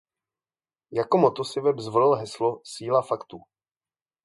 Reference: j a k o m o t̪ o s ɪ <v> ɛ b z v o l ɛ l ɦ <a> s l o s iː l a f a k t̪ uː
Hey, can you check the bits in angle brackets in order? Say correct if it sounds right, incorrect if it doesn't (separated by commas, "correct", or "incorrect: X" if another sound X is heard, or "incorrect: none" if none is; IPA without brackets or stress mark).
correct, incorrect: ɛ